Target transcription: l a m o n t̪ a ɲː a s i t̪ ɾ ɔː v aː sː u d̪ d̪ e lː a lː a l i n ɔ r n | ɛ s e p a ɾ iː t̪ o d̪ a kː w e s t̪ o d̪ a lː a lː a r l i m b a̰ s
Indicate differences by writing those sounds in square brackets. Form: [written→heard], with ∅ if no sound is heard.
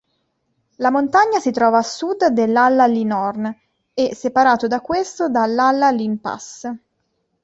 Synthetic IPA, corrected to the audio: l a m o n t̪ a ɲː a s i t̪ ɾ ɔː v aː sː u d̪ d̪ e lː a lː a l i n ɔ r n | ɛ s e p a ɾ [iː→aː] t̪ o d̪ a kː w e s t̪ o d̪ a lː a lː a [r→∅] l i m [b→p] a̰ s